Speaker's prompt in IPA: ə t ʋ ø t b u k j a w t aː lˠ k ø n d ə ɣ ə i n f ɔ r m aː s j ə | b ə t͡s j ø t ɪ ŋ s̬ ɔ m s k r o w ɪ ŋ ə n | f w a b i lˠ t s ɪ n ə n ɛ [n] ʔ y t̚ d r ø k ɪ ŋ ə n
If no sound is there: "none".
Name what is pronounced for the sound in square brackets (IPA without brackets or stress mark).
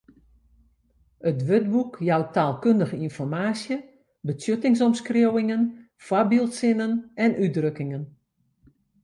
n